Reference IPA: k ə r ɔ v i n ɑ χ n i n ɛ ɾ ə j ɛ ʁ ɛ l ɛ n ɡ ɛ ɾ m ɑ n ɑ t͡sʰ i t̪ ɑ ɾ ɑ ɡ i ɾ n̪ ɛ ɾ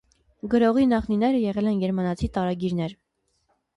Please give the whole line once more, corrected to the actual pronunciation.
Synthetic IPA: ɡ ə ɾ ɔ ʁ i n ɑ χ n i n ɛ ɾ ə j ɛ ʁ ɛ l ɛ n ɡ ɛ ɾ m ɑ n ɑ t͡sʰ i t̪ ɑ ɾ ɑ ɡ i ɾ n̪ ɛ ɾ